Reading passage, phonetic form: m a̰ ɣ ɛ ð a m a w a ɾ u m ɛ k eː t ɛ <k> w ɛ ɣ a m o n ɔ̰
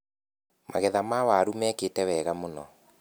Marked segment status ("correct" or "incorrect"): incorrect